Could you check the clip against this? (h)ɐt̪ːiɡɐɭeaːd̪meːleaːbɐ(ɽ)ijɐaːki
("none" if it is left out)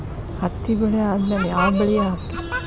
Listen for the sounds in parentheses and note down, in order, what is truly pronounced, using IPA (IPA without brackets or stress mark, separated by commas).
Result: h, ɭ